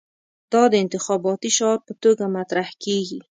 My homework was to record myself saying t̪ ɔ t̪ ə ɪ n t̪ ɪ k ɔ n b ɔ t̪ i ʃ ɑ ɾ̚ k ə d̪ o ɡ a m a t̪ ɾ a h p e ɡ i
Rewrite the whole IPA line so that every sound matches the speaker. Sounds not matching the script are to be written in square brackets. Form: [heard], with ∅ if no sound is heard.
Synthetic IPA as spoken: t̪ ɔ [d̪] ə ɪ n t̪ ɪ [x] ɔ [∅] b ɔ t̪ i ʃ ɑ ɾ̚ [p] ə [t̪] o ɡ a m a t̪ ɾ a h [k] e ɡ i